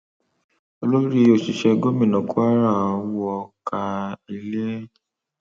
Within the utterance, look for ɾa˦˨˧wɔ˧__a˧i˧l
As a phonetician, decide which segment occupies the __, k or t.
k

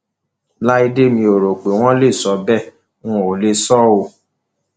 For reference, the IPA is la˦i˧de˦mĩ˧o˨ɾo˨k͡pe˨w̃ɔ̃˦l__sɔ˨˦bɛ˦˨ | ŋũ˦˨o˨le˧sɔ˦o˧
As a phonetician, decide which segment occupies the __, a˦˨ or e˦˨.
e˦˨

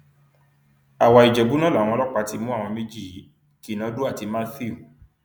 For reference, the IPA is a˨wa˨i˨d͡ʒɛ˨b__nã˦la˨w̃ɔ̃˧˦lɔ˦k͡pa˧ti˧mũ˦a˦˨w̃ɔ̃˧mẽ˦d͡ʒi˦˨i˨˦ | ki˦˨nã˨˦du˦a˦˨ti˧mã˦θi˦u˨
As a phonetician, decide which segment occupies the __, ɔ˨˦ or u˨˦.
u˨˦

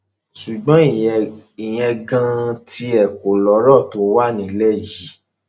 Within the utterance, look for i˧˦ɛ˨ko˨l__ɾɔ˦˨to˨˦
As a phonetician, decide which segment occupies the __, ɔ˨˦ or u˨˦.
ɔ˨˦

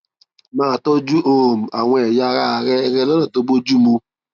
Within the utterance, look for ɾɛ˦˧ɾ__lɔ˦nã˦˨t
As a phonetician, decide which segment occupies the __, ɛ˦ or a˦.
ɛ˦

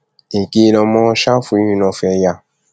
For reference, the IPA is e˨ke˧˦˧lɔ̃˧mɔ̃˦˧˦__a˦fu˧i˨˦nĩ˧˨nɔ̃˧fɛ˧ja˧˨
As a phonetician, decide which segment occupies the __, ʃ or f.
ʃ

